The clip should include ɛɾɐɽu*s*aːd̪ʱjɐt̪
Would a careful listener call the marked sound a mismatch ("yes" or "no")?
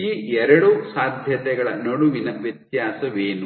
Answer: no